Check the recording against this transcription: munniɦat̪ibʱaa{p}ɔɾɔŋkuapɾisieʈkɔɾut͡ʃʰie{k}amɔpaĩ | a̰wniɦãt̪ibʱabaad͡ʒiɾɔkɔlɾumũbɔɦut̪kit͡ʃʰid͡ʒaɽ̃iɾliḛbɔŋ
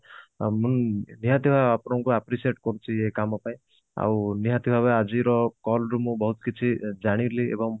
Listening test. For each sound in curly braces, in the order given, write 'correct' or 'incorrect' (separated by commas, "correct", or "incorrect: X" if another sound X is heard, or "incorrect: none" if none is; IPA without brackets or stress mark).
correct, correct